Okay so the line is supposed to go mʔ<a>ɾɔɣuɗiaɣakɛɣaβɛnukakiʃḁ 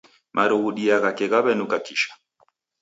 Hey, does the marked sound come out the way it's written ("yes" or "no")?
yes